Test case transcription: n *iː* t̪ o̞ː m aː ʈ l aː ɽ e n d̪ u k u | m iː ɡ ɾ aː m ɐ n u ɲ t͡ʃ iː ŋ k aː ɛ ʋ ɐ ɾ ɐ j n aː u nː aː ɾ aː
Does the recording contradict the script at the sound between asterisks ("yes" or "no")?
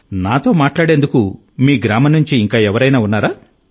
yes